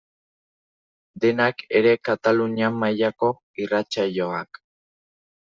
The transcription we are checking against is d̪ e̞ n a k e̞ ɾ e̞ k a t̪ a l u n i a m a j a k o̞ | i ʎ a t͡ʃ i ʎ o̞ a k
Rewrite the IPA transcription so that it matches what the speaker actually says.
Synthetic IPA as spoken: d̪ e̞ n a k e̞ ɾ e̞ k a t̪ a l u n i a m a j a k o̞ | i r a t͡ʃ a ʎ o̞ a k